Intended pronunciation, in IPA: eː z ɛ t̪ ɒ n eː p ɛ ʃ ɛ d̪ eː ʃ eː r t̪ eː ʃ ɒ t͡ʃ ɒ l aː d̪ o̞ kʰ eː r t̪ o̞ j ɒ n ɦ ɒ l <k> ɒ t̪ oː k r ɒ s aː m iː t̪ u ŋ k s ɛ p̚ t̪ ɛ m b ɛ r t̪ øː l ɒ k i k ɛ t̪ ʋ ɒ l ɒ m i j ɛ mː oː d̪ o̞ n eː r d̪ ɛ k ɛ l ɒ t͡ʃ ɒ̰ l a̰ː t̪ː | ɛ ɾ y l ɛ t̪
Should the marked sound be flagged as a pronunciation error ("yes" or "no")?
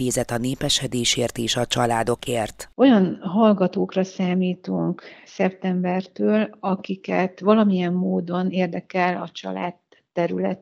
yes